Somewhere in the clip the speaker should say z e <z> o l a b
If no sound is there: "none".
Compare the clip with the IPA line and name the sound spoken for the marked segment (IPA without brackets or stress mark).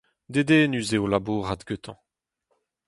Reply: none